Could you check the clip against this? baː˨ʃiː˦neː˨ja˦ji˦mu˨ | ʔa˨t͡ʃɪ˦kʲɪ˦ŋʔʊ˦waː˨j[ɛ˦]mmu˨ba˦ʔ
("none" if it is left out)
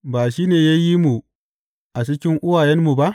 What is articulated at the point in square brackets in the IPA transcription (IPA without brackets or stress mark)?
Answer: ɛ˦